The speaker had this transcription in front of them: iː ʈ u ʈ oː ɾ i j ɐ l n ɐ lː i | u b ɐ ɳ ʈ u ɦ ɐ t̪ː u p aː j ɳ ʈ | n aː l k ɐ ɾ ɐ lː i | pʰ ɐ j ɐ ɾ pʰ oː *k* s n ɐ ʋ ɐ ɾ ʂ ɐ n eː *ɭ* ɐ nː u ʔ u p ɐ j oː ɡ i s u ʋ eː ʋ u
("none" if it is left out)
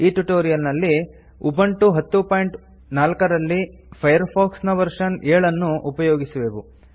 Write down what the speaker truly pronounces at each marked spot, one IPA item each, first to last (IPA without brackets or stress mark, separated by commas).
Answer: k, ɭ